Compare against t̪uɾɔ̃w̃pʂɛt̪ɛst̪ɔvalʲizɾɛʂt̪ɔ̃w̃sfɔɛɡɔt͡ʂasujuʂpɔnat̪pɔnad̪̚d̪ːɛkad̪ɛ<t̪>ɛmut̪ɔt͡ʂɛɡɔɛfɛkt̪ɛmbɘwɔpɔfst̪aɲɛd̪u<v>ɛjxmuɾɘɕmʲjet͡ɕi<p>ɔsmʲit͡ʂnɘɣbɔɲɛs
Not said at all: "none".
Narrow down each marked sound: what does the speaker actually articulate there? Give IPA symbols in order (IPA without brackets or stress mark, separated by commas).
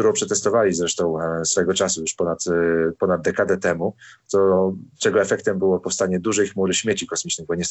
t̪, ʐ, k